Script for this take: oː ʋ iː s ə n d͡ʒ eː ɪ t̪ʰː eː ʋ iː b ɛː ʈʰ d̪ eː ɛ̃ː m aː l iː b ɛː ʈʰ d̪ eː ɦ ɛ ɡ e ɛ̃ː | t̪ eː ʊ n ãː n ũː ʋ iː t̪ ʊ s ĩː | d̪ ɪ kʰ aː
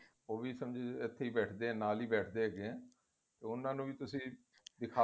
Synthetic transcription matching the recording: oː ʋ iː s ə m d͡ʒ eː ɪ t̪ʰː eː iː b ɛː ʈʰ d̪ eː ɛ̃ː n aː l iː b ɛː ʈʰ d̪ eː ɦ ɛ ɡ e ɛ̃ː | t̪ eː ʊ n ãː n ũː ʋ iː t̪ ʊ s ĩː | d̪ ɪ kʰ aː

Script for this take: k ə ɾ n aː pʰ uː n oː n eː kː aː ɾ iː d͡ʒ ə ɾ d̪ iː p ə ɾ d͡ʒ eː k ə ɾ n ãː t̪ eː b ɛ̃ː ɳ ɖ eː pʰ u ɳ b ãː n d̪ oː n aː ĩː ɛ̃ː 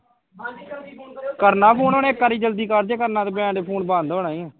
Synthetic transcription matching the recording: k ə ɾ n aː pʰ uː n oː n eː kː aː ɾ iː d͡ʒ ə l d̪ iː k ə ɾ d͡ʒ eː k ə ɾ n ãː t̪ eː b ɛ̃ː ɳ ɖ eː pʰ uː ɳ b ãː n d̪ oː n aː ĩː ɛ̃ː

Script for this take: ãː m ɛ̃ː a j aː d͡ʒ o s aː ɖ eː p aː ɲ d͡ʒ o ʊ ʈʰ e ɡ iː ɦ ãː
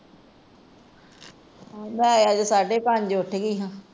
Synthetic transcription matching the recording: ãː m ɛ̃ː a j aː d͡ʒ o s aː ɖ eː p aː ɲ d͡ʒ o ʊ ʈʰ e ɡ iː ɦ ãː

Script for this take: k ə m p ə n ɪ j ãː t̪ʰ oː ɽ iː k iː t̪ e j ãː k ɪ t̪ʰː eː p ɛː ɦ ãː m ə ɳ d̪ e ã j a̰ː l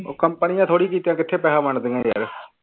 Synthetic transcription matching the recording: k ə m p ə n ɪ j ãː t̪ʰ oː ɽ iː k iː t̪ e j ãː k ɪ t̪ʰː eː p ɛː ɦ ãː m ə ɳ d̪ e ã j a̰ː ɾ

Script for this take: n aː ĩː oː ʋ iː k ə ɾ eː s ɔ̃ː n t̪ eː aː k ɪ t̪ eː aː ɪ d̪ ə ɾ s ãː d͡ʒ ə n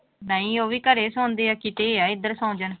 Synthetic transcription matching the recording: n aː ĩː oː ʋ iː k ə ɾ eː s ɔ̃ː n d̪ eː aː k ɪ t̪ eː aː ɪ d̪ ə ɾ s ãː d͡ʒ ə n

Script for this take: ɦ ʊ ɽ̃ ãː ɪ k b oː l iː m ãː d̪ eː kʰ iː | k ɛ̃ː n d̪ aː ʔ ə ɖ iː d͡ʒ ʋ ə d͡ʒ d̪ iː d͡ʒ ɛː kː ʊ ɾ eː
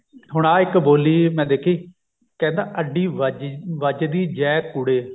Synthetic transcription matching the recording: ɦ ʊ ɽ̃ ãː ɪ k b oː l iː m ɛ̃ː d̪ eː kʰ iː | k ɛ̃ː n d̪ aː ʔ ə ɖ iː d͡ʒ ʋ ə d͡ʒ d̪ iː d͡ʒ ɛː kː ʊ ɽ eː

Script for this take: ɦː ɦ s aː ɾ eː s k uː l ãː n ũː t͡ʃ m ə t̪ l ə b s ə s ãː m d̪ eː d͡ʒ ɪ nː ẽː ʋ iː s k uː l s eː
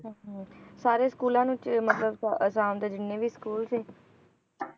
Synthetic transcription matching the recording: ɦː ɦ s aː ɾ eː s k uː l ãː n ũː t͡ʃ m ə t̪ l ə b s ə s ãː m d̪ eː d͡ʒ ɪ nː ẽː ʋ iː s k uː l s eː

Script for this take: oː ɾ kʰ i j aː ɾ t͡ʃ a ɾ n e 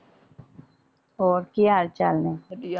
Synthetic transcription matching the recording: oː ɾ k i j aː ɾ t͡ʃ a l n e

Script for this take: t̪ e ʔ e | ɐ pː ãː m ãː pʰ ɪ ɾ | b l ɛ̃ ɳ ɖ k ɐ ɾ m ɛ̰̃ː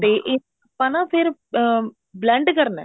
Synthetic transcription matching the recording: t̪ e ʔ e | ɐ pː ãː n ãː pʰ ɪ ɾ | b l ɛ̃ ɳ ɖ k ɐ ɾ n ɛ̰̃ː

